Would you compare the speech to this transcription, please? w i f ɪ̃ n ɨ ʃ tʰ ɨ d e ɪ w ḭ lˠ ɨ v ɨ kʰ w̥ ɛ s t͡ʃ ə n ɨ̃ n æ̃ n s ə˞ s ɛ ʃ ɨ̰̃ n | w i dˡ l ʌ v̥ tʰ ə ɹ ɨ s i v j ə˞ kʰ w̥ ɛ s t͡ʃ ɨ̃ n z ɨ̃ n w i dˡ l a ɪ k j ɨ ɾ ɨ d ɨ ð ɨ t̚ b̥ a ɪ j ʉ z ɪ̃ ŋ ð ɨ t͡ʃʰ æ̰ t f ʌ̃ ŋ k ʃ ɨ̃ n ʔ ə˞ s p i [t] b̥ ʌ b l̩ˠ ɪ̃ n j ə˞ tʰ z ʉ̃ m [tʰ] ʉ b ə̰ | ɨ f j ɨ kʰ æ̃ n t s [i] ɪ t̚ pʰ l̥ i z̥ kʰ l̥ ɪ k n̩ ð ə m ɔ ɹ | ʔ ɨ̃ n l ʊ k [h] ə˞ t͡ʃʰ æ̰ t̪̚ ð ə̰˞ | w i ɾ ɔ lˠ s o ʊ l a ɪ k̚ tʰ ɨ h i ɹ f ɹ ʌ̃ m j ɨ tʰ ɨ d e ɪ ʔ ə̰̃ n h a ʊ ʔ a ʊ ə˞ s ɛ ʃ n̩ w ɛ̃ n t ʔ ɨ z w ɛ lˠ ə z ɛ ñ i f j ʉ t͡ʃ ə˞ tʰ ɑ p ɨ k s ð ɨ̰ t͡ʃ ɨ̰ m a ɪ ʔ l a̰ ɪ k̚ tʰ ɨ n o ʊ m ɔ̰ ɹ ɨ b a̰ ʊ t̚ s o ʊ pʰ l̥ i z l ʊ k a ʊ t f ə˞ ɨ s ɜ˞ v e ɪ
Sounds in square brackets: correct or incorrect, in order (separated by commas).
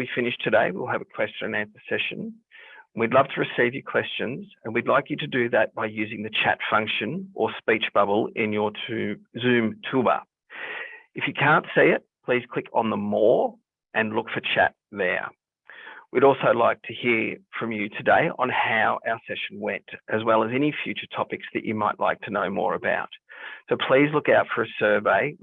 incorrect, correct, correct, incorrect